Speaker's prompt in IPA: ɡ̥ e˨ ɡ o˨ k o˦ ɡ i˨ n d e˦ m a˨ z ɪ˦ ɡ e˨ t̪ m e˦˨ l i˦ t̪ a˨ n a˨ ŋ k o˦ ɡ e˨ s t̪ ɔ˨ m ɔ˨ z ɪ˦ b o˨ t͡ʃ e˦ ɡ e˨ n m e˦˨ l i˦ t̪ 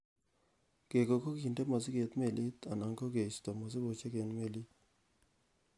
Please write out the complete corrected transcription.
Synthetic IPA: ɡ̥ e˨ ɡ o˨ k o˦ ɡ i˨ n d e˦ m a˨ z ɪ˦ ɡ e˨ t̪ m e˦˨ l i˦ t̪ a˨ n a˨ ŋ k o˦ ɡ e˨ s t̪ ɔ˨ m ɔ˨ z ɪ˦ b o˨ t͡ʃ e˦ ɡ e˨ n m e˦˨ l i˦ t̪